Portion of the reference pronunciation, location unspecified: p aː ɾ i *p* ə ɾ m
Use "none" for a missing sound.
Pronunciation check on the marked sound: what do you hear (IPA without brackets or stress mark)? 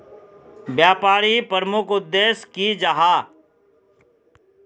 p